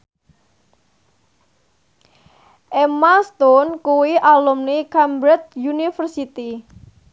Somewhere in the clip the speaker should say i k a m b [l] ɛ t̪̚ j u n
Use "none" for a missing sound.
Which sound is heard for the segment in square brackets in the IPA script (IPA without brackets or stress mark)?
ɾ